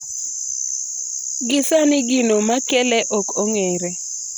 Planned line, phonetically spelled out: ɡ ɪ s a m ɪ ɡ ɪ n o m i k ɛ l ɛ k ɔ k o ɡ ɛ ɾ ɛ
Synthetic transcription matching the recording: ɡ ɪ s a n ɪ ɡ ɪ n o m a k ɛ l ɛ ʔ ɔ k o ŋ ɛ ɾ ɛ